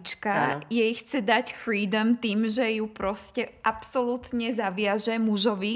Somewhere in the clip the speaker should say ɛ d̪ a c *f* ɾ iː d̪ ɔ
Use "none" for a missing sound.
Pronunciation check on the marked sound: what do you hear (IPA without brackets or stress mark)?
f